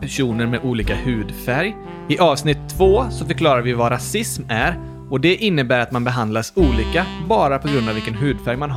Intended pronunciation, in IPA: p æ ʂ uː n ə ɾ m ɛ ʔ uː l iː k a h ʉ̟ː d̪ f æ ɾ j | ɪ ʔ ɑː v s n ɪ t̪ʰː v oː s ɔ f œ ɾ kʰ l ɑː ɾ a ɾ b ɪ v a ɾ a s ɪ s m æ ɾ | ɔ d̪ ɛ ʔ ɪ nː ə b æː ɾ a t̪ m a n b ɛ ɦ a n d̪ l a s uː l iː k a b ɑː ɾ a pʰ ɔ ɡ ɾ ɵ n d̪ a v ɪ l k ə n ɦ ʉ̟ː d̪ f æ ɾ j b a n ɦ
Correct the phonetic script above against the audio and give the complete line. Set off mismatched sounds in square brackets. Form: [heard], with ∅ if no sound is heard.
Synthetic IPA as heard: p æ ʂ uː n ə ɾ m ɛ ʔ uː l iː k a h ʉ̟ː d̪ f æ ɾ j | ɪ ʔ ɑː v s n ɪ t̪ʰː v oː s ɔ f œ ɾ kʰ l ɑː ɾ a ɾ [v] ɪ v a ɾ a s ɪ s m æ ɾ | ɔ d̪ ɛ ʔ ɪ nː ə b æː ɾ a t̪ m a n b ɛ ɦ a n d̪ l a s uː l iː k a b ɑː ɾ a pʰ ɔ ɡ ɾ ɵ n d̪ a v ɪ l k ə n ɦ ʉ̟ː d̪ f æ ɾ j [m] a n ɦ